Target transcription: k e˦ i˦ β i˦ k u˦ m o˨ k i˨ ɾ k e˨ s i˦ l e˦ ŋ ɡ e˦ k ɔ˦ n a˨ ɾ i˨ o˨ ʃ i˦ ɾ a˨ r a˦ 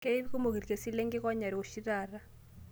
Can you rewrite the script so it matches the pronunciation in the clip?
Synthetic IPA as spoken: k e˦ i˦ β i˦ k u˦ m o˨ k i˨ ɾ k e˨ s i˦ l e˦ ŋ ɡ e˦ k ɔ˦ ɲ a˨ ɾ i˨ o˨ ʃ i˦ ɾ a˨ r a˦